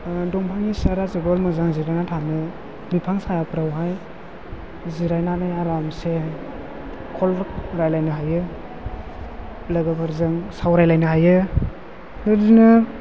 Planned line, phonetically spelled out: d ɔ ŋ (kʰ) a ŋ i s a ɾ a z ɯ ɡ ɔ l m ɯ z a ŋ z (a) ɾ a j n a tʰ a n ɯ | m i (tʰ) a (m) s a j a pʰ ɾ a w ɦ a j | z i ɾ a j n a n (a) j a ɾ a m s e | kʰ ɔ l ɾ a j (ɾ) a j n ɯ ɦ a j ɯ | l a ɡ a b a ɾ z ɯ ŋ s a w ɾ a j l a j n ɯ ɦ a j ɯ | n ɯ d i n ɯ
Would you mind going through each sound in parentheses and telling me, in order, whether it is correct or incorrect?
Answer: incorrect: pʰ, incorrect: i, incorrect: pʰ, incorrect: ŋ, correct, incorrect: l

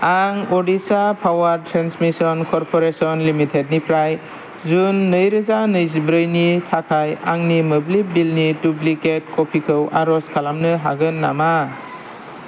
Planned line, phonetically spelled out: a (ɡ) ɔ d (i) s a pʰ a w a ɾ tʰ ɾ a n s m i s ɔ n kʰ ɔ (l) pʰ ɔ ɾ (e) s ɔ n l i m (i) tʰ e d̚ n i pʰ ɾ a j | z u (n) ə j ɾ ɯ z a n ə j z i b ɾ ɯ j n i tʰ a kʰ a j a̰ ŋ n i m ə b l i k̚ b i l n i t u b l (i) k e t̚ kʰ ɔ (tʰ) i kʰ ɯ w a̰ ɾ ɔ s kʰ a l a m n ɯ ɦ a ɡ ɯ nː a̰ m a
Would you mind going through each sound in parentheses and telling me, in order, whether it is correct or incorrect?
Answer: incorrect: ŋ, correct, incorrect: ɾ, correct, correct, incorrect: nː, correct, incorrect: pʰ

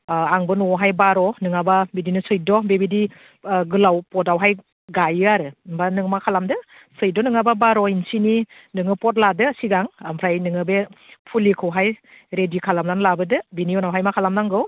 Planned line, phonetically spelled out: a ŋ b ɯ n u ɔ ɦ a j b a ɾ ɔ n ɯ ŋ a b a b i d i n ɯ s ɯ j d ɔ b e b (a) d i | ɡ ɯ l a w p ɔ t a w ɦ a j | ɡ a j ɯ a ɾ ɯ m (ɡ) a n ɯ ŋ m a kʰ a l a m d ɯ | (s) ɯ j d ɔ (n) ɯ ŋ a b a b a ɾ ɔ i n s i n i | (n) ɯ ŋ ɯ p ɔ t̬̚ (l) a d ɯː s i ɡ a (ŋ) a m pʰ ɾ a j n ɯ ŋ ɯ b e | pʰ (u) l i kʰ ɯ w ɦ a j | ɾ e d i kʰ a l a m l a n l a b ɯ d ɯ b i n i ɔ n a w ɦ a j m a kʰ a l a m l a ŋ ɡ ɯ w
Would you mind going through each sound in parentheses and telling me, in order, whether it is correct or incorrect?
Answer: incorrect: i, incorrect: b, correct, correct, correct, correct, correct, correct

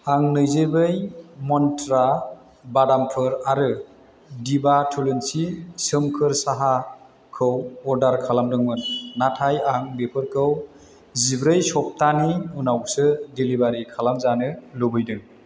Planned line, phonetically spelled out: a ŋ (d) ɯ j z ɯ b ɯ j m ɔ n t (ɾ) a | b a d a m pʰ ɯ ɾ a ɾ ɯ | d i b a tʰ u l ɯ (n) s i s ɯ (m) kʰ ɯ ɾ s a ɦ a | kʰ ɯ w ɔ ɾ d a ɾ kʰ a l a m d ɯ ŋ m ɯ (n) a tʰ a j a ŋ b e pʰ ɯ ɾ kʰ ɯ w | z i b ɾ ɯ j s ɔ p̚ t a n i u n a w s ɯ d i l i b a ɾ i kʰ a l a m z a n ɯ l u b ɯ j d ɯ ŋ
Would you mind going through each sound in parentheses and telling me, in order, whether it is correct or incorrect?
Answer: incorrect: n, correct, correct, correct, incorrect: nː

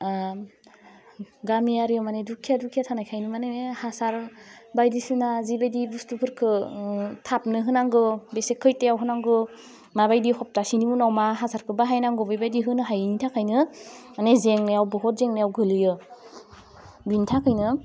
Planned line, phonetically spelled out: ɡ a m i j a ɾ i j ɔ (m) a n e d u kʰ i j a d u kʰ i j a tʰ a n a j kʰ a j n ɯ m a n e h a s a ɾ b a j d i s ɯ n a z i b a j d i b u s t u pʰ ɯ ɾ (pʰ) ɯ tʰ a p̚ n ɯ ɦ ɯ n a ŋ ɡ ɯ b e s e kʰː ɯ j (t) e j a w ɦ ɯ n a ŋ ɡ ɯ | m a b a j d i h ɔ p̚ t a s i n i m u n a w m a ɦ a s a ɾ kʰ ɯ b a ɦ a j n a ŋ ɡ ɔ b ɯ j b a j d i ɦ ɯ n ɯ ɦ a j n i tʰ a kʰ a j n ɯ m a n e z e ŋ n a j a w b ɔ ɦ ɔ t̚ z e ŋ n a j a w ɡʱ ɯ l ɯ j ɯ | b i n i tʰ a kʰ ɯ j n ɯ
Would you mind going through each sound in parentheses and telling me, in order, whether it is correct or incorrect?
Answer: correct, incorrect: kʰ, correct

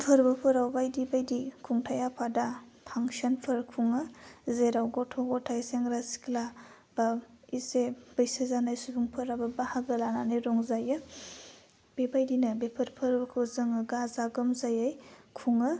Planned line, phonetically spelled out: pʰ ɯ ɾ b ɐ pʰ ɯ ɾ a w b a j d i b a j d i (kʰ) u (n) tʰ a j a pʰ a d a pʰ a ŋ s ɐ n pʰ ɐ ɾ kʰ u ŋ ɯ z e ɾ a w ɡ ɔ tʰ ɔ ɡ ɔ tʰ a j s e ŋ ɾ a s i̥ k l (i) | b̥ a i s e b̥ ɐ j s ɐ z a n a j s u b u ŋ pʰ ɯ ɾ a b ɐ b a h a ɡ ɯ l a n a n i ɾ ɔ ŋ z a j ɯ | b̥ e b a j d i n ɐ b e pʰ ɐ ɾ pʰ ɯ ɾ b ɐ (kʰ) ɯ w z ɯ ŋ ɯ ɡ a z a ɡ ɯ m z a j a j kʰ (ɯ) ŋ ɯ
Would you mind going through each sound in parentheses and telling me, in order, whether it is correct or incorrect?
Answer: correct, incorrect: ŋ, incorrect: a, correct, incorrect: u

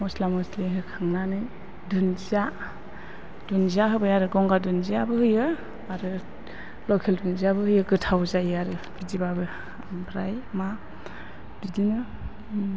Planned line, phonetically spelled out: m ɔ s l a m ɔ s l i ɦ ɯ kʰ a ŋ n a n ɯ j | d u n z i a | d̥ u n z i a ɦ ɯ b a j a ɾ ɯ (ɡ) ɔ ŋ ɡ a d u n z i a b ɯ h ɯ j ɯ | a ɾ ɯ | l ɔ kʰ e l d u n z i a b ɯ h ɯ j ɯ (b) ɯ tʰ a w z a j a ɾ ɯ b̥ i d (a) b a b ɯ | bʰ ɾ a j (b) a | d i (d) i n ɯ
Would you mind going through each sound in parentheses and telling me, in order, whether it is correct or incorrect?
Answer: correct, incorrect: ɡ, incorrect: i, incorrect: m, correct

